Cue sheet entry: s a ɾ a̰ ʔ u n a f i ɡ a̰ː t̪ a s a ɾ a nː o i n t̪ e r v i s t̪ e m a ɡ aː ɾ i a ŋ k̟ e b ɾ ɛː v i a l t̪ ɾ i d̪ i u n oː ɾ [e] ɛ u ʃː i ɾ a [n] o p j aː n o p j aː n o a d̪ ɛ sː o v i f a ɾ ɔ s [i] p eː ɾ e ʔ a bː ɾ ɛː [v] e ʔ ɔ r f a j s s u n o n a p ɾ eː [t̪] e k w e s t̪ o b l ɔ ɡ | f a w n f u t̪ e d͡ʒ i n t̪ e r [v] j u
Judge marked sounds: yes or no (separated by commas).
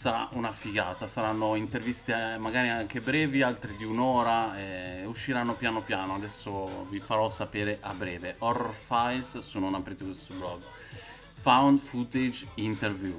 no, no, no, yes, yes, yes